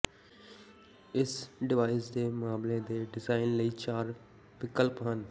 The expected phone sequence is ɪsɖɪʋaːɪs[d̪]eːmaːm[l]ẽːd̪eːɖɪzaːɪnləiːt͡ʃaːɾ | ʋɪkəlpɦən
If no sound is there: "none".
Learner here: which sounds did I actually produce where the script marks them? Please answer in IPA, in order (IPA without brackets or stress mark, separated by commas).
d̪, l